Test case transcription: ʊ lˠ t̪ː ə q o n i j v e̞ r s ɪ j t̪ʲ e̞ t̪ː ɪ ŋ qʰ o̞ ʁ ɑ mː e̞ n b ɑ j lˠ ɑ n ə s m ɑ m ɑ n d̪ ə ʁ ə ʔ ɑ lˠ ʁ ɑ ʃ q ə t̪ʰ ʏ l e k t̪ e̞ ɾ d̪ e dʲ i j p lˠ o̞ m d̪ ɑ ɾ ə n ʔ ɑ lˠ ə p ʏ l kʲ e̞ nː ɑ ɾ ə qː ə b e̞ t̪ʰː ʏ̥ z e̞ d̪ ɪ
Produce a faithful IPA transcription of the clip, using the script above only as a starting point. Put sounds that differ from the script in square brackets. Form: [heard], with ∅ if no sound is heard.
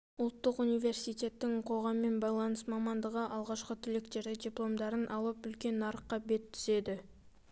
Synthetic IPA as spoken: ʊ lˠ t̪ː ə q [u] n i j v e̞ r s [i] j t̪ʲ e̞ t̪ː ɪ ŋ qʰ o̞ ʁ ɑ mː e̞ n b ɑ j lˠ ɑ n ə s m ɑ m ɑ n d̪ ə ʁ ə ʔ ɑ lˠ ʁ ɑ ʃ q ə t̪ʰ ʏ l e k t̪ e̞ ɾ d̪ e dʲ i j p lˠ o̞ m d̪ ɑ ɾ ə n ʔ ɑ lˠ ə p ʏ l kʲ e̞ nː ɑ ɾ ə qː [ɑ] b e̞ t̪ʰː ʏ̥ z e̞ d̪ ɪ